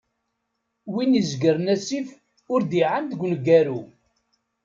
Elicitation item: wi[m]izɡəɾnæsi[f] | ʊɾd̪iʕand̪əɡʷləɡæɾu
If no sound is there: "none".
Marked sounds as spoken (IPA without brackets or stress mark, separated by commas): n, f